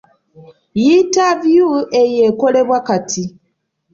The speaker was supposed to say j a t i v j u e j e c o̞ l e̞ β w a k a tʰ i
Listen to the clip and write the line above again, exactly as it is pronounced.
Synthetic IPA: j i t a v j u e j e k o̞ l e̞ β w a k a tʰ i

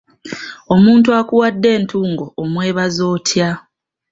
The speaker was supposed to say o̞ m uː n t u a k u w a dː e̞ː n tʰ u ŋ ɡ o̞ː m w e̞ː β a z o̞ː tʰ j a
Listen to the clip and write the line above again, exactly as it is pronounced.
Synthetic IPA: o̞ m uː n t u a k u w a dː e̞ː n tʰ uː ŋ ɡ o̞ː m w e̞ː β a z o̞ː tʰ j a

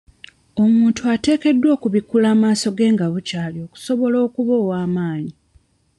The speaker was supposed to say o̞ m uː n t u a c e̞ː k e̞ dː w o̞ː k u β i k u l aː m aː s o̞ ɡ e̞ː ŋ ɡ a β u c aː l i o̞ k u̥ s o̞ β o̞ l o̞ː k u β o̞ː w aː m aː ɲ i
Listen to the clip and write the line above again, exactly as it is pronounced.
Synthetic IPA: o̞ m uː n t u a t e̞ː k e̞ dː w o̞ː k u β i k u l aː m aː s o̞ ɡ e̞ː ŋ ɡ a β u c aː l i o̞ k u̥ s o̞ β o̞ l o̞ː k u β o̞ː w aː m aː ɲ i

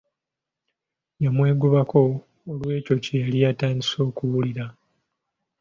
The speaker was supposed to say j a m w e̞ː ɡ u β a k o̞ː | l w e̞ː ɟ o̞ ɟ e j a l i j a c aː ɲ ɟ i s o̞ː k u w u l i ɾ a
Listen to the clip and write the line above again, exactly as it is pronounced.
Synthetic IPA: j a m w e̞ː ɡ u β a k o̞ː | l w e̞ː c o̞ c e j a l i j a t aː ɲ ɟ i s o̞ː k u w u l i ɾ a

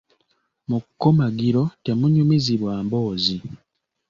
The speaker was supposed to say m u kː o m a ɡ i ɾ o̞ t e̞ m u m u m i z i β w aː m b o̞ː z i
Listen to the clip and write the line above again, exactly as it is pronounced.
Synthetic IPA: m u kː o m a ɡ i ɾ o̞ t e̞ m u ɲ u m i z i β w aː m b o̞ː z i

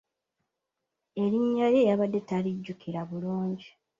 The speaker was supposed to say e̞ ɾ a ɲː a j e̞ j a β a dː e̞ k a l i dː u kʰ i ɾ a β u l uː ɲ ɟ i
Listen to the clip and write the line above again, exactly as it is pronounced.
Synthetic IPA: e̞ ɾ i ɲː a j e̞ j a β a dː e̞ t a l i ɟː u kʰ i ɾ a β u l uː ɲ ɟ i

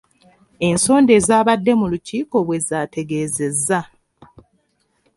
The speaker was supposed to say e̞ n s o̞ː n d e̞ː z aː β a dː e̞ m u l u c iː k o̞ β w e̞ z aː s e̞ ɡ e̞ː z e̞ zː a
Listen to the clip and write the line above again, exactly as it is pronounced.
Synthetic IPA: e̞ n s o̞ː n d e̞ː z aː β a dː e̞ m u l u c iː k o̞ β w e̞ z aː t e̞ ɡ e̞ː z e̞ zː a

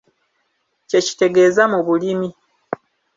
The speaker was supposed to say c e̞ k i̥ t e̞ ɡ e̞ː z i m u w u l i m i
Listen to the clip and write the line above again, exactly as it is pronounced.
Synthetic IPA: c e̞ c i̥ t e̞ ɡ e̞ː z a m u β u l i m i

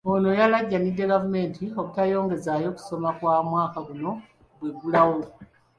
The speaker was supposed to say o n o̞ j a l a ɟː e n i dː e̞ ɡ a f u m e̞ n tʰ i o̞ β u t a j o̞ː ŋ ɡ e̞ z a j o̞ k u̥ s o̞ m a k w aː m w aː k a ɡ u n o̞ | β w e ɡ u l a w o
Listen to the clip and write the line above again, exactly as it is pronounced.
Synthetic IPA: o n o̞ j a l a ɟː a n i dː e̞ ɡ a v u m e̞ n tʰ i o̞ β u t a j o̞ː ŋ ɡ e̞ z a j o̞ k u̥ s o̞ m a k w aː m w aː k a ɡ u n o̞ | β w e ɡ u l a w o

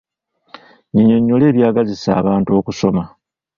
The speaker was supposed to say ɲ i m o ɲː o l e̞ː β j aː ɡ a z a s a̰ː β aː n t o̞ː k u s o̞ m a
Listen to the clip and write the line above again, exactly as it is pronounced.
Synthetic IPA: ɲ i ɲ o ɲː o l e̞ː β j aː ɡ a z i s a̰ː β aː n t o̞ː k u s o̞ m a

